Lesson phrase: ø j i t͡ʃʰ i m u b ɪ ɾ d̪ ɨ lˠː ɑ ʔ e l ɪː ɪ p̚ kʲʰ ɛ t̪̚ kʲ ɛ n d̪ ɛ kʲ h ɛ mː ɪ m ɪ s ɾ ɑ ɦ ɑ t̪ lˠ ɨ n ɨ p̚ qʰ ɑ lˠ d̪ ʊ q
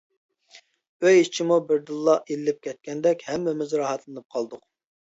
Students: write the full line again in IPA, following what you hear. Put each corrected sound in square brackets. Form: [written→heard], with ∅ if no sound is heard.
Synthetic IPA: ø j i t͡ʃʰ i m u b ɪ ɾ d̪ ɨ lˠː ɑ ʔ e l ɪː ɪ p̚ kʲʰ ɛ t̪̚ kʲ ɛ n d̪ ɛ kʲ h ɛ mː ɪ m ɪ [s→z] ɾ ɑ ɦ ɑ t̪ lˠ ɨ n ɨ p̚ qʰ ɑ lˠ d̪ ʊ q